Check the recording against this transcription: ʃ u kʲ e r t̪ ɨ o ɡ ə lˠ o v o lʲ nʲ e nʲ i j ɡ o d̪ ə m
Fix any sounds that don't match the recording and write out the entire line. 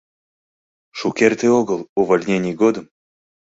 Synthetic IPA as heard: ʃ u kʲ e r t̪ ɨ o ɡ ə lˠ u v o lʲ nʲ e nʲ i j ɡ o d̪ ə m